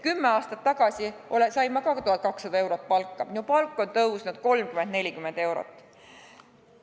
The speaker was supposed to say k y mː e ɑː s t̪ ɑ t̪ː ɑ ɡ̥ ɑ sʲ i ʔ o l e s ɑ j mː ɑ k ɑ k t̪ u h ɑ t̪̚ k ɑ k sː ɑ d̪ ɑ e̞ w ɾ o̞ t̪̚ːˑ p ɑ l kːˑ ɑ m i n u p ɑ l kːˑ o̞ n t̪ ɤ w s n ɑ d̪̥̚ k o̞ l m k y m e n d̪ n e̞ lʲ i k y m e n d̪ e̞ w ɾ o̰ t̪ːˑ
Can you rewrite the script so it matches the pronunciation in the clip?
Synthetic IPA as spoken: k y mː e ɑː s t̪ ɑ t̪ː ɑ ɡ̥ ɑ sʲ i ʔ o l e s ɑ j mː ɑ k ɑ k t̪ u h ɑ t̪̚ k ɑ k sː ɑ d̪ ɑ e̞ w ɾ o̞ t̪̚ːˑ p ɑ l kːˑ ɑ m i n u p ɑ l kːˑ o̞ n t̪ ɤ w s n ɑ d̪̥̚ k o̞ l m k y m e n d̪ n e̞ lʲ i k y m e n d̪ e̞ w ɾ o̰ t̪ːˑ